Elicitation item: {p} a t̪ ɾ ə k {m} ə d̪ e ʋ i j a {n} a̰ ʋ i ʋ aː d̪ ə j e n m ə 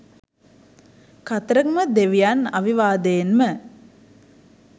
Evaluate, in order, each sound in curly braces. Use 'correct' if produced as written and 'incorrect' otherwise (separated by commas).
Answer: incorrect, correct, correct